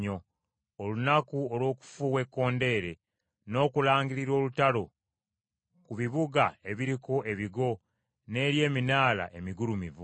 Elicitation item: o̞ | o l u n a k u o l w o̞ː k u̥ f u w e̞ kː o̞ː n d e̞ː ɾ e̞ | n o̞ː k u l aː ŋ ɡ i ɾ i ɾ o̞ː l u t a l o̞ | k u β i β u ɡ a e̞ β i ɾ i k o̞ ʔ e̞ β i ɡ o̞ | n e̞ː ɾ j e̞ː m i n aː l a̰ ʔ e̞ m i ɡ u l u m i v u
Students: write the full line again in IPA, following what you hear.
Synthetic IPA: o̞ | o l u n a k u o l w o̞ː k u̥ f u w e̞ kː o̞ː n d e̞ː ɾ e̞ | n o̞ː k u l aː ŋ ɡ i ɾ i ɾ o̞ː l u t a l o̞ | k u β i β u ɡ a e̞ β i ɾ i k o̞ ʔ e̞ β i ɡ o̞ | n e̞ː ɾ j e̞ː m i n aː l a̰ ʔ e̞ m i ɡ u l u m i v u